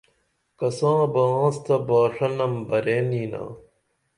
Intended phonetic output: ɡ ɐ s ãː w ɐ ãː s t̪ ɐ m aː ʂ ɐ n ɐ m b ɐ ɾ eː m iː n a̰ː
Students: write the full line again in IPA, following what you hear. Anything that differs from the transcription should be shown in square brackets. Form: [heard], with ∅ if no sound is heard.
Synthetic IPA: [k] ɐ s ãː [b] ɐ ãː s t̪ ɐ [b] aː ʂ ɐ n ɐ m b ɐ ɾ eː [n] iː n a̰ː